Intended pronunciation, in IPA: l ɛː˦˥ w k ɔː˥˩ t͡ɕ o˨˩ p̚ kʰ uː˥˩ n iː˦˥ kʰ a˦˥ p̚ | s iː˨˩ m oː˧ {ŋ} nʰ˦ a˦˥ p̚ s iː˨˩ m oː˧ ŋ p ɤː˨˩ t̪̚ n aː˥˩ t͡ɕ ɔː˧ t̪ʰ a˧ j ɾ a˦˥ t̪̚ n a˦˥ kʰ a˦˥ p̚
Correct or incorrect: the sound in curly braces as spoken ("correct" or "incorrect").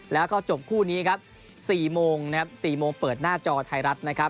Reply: correct